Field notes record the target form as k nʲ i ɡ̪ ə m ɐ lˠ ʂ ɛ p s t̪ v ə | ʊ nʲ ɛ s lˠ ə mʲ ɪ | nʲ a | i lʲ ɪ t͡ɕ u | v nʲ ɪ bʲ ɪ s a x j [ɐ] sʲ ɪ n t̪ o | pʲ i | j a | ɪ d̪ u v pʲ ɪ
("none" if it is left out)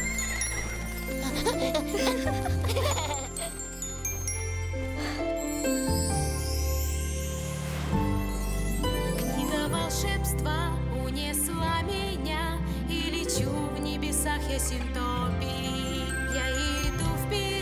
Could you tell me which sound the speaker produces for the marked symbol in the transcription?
a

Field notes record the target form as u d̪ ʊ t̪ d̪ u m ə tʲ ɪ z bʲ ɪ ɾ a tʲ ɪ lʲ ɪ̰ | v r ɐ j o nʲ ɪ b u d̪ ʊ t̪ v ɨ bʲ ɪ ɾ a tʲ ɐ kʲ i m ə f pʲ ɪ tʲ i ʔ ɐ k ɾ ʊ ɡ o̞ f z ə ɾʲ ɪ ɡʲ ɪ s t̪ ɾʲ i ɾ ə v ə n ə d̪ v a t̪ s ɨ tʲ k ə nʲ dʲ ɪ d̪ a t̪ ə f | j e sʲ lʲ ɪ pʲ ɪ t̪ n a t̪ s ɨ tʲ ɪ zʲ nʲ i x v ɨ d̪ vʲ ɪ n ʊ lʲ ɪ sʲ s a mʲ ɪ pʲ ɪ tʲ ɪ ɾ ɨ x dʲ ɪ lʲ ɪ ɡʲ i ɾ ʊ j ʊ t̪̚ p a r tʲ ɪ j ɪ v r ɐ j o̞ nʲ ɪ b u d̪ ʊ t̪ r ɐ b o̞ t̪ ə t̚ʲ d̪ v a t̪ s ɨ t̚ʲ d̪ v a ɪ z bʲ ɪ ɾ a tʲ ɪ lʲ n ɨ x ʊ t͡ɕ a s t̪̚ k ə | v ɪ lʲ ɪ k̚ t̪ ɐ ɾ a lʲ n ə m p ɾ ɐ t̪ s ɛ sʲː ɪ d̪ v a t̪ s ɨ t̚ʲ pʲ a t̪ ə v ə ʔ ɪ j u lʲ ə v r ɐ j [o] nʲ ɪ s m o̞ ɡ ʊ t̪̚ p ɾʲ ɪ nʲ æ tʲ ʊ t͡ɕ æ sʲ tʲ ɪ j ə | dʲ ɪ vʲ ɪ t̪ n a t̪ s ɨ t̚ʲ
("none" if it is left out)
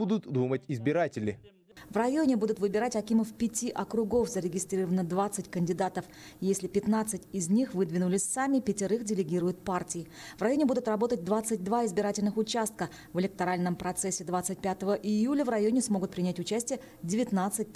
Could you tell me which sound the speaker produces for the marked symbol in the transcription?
o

